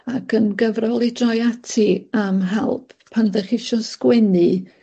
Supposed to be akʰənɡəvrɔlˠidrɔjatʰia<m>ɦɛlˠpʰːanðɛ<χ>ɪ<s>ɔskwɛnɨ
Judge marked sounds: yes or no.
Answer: yes, yes, no

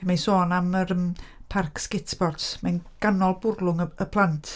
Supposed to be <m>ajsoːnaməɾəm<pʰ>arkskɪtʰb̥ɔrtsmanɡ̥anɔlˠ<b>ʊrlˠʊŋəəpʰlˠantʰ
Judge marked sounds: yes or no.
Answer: yes, yes, yes

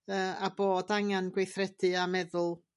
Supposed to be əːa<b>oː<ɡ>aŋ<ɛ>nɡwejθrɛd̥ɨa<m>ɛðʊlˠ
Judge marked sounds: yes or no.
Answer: yes, no, no, yes

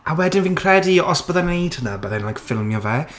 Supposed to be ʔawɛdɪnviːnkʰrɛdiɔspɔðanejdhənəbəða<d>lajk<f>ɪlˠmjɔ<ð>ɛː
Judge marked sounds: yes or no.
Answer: no, yes, no

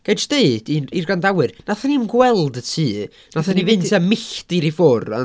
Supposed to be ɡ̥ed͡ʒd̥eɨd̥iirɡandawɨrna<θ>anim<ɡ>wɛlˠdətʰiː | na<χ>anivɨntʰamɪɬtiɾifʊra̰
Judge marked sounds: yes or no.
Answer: yes, yes, no

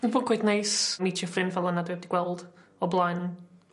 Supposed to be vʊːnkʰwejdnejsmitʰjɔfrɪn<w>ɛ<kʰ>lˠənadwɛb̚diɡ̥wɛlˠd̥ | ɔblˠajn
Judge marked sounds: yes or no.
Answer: no, no

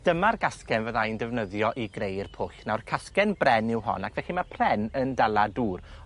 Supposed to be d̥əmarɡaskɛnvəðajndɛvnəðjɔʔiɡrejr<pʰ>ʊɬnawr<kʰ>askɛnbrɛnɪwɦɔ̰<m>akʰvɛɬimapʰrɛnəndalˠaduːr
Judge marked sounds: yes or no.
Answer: yes, yes, no

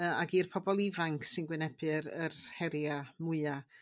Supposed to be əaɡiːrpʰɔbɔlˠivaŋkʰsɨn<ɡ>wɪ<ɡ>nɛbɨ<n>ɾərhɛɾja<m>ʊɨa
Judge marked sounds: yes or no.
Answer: yes, no, no, yes

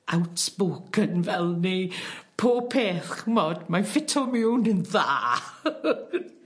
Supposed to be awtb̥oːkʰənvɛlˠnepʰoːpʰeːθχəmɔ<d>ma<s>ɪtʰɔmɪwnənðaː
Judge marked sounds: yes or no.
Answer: yes, no

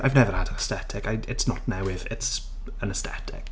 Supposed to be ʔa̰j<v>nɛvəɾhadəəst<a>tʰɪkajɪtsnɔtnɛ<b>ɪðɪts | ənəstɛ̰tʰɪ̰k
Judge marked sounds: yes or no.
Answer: yes, no, no

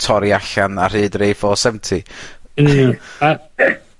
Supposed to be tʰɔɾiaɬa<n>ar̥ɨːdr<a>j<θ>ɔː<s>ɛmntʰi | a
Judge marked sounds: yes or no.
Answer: yes, no, no, yes

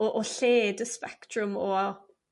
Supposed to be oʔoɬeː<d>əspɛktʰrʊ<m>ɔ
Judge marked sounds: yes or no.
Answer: yes, yes

